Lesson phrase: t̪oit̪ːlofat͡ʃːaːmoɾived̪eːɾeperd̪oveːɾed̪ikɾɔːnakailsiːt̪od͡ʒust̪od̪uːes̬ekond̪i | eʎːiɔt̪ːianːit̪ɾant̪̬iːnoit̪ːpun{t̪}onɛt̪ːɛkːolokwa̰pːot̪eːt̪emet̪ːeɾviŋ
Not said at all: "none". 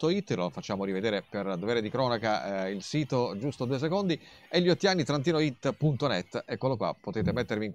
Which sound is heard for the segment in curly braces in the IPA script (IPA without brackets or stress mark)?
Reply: t̪